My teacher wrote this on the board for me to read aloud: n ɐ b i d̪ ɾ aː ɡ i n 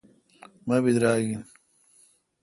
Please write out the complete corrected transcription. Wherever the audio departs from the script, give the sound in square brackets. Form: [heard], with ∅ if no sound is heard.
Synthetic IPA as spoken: [m] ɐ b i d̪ ɾ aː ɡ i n